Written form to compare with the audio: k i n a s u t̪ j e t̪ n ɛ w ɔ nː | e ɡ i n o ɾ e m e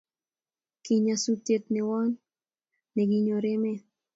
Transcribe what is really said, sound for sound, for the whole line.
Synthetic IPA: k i ɲ a s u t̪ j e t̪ n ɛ w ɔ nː | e ɡ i ɲ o ɾ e m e